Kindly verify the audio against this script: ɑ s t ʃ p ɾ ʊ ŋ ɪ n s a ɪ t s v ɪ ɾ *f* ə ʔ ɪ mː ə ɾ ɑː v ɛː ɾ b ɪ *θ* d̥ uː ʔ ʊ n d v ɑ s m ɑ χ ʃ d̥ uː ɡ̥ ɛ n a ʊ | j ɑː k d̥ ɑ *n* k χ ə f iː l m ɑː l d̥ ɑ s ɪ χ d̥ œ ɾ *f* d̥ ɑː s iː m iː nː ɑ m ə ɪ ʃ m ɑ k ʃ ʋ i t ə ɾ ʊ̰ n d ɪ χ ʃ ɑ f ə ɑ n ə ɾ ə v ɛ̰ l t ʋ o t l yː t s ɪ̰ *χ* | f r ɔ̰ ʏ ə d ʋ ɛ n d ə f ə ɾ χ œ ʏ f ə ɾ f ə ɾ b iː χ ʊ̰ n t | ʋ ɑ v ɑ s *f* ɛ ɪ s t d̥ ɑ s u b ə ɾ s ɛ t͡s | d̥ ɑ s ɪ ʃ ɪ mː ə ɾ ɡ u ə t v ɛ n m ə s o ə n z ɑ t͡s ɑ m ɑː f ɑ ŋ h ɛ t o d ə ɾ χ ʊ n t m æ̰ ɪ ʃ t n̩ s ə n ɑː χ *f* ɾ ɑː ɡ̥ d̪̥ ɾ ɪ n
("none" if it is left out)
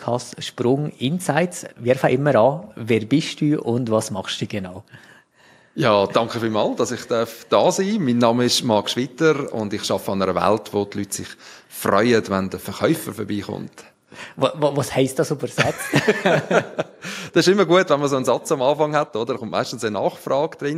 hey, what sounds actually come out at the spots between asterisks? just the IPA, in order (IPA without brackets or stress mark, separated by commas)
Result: f, ʃ, ŋ, f, χ, h, f